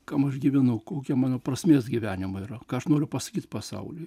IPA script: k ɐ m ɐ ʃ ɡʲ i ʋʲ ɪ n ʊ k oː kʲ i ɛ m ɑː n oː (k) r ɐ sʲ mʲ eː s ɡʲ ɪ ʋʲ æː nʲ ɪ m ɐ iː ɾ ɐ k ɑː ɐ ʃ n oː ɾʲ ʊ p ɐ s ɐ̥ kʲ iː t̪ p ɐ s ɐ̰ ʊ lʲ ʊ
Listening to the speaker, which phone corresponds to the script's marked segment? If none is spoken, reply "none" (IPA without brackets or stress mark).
p